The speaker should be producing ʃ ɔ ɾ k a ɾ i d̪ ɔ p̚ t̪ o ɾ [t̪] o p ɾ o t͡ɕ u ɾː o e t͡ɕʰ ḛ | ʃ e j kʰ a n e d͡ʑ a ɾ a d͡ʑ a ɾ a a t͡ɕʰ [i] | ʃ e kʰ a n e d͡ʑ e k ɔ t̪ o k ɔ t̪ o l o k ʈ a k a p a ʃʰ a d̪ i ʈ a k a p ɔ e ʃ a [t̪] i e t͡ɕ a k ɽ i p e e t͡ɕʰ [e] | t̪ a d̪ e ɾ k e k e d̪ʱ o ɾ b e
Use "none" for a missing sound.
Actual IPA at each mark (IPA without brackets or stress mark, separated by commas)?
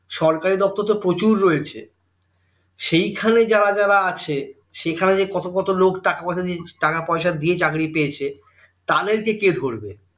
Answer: t̪, e, d̪, e